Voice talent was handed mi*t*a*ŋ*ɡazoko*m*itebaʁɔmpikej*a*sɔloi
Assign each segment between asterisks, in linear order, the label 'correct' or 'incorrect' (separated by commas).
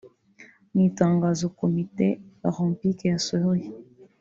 correct, correct, correct, correct